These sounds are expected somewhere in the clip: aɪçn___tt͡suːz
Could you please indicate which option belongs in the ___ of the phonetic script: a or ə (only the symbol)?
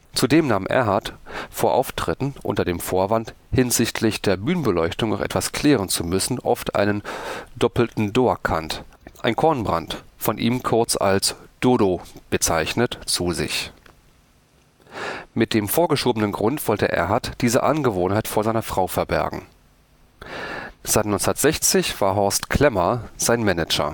ə